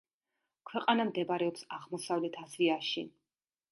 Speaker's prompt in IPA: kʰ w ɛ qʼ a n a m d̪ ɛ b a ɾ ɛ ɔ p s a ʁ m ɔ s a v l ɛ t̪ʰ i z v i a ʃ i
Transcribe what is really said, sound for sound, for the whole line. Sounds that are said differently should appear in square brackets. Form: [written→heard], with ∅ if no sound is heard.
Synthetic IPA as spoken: kʰ w ɛ qʼ a n a m d̪ ɛ b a ɾ ɛ ɔ p s a ʁ m ɔ s a v l ɛ t̪ʰ [i→a] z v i a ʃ i